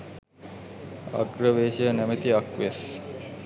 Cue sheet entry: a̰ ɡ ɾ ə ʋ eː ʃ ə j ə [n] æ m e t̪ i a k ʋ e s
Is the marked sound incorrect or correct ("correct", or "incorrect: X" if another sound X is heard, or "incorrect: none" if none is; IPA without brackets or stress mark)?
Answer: correct